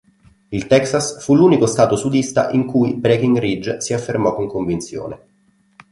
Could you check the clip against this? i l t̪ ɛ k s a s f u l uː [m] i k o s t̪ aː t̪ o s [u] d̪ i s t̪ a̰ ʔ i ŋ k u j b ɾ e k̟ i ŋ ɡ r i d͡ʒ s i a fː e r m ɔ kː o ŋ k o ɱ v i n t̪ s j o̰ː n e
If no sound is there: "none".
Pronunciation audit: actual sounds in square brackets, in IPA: n, u

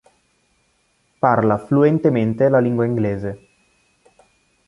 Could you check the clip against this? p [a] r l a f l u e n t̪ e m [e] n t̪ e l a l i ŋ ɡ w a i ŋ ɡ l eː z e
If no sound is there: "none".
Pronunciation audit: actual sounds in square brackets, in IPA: a, e

